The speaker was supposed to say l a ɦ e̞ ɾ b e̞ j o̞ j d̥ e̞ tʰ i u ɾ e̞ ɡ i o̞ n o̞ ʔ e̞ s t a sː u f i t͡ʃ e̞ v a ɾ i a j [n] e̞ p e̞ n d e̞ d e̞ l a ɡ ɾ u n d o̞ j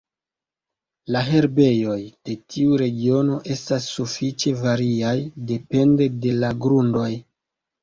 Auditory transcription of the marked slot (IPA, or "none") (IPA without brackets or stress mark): d